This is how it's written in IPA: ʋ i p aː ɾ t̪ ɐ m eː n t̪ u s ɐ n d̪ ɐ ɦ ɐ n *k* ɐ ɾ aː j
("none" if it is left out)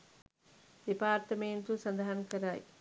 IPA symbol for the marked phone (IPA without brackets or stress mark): k